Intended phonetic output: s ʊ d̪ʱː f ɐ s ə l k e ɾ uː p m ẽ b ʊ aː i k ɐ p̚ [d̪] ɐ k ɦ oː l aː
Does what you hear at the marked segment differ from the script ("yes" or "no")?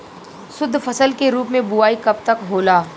yes